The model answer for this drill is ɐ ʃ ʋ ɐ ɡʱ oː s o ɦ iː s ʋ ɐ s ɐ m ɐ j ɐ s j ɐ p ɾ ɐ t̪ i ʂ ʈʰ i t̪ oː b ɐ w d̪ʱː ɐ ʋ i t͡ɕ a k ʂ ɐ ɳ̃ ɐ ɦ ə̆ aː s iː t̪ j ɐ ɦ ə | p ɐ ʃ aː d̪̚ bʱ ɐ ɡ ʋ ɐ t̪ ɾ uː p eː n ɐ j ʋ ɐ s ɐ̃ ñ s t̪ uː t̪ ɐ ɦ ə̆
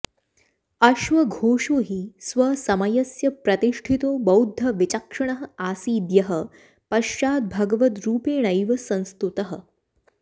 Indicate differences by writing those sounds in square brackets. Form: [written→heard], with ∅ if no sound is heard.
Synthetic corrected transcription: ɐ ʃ ʋ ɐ ɡʱ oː [s→ʂ] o ɦ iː s ʋ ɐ s ɐ m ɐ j ɐ s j ɐ p ɾ ɐ t̪ i ʂ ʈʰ i t̪ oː b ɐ w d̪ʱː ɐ ʋ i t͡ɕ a k ʂ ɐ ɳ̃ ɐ ɦ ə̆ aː s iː [t̪→d̪] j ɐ ɦ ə | p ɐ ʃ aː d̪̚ bʱ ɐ ɡ ʋ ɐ t̪ ɾ uː p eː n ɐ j ʋ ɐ s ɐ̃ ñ s t̪ [uː→u] t̪ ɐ ɦ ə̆